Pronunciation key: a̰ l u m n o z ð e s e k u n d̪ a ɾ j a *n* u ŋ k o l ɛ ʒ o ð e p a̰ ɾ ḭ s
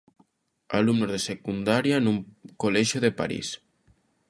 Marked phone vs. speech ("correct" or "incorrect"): correct